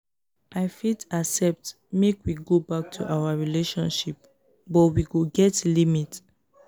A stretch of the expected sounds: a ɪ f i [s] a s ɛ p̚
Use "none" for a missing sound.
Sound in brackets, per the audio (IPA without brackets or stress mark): t